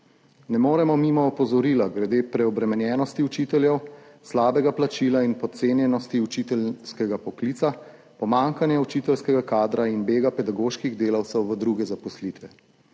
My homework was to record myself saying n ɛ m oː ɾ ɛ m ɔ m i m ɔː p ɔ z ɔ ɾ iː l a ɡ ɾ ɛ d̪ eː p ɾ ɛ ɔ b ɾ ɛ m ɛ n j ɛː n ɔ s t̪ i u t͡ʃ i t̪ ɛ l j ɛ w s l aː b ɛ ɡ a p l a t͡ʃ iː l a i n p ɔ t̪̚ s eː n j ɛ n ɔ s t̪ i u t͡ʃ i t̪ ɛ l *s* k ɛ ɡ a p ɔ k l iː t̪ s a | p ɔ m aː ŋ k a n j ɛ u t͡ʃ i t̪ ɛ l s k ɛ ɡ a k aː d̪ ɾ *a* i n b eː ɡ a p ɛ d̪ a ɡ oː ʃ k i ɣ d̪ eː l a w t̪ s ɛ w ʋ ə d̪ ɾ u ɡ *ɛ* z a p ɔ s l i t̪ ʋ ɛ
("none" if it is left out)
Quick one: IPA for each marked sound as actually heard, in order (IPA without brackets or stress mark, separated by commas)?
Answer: s, a, ɛ